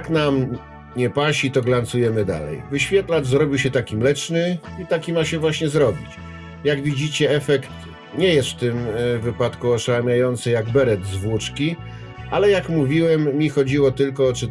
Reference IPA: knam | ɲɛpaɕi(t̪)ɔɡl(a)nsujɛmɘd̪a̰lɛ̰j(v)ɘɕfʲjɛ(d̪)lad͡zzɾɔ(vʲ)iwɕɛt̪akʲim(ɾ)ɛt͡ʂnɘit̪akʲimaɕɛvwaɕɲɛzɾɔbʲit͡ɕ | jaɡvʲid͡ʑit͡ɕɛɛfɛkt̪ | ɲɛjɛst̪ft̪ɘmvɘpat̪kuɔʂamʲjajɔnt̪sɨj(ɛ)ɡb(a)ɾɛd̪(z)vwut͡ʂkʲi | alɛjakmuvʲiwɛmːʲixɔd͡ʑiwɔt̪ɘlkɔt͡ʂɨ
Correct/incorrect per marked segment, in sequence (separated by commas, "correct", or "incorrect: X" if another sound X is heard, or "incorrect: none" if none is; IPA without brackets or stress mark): correct, correct, correct, incorrect: t̪, incorrect: bʲ, incorrect: l, incorrect: a, incorrect: ɛ, correct